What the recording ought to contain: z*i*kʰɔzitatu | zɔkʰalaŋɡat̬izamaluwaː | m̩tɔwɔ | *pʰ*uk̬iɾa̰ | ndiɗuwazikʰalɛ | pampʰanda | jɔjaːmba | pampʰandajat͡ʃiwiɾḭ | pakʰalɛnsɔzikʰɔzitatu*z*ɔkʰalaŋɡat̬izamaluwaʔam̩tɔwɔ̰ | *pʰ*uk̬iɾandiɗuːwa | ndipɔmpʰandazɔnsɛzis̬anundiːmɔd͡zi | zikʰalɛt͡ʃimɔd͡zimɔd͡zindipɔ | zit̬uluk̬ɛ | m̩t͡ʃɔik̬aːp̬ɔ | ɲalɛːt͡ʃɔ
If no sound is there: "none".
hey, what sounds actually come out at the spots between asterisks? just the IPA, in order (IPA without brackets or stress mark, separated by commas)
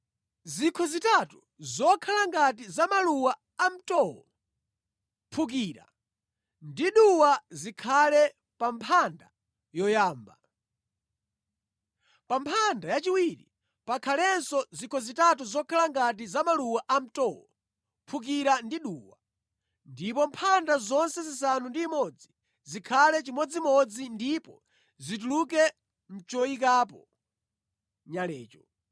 i, pʰ, z, pʰ